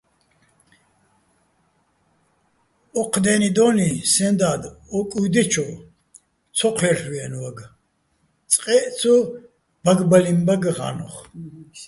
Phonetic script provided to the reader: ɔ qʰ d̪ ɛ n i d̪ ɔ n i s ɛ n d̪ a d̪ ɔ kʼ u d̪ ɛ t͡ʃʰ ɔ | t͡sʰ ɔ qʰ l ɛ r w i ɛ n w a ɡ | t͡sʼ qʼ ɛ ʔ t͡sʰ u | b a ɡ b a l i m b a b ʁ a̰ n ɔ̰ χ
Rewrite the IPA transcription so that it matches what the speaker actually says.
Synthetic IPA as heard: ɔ qʰ d̪ ɛ n i d̪ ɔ n i s ɛ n d̪ a d̪ ɔ kʼ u d̪ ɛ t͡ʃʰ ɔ | t͡sʰ ɔ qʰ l ɛ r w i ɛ n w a ɡ | t͡sʼ qʼ ɛ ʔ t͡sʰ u | b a ɡ b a l i m b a ɡ ʁ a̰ n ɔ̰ χ